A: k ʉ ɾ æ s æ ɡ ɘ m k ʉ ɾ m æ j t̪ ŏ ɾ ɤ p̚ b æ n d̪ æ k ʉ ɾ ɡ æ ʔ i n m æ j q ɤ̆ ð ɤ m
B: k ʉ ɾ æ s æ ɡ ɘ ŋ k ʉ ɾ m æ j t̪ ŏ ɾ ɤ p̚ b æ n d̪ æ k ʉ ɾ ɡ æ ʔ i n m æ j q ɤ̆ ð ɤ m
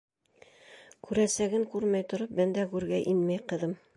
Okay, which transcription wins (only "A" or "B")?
B